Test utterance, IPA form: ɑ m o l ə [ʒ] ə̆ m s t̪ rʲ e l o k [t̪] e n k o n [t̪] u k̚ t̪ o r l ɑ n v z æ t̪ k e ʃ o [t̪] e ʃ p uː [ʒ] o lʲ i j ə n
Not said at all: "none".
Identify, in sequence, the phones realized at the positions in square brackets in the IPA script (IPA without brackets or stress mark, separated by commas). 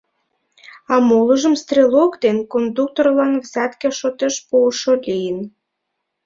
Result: ʒ, d̪, d̪, t̪, ʃ